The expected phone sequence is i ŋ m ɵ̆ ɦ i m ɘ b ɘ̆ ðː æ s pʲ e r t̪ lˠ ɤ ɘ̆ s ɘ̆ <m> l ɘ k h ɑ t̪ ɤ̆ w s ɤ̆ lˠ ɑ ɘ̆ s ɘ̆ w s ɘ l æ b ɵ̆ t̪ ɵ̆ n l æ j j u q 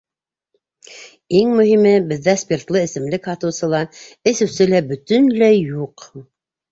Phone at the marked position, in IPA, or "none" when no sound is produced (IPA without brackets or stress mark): m